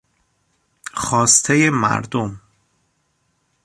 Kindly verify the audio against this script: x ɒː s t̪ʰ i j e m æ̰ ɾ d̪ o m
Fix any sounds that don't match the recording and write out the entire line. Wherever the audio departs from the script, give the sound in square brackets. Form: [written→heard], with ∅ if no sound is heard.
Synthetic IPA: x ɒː s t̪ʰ [i→e] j e m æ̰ ɾ d̪ o m